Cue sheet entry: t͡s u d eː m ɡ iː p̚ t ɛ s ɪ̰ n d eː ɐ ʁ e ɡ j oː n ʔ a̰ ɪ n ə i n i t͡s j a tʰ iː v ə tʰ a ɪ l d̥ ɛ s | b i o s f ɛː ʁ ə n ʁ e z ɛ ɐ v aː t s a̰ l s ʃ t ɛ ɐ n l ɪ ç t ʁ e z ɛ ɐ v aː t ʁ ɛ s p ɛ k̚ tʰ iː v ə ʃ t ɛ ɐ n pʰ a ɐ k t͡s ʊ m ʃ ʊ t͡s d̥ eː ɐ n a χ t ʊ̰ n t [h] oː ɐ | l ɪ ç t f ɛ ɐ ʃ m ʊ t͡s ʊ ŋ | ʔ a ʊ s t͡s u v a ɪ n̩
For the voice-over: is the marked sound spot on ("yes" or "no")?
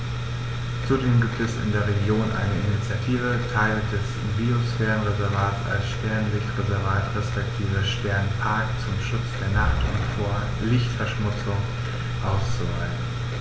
no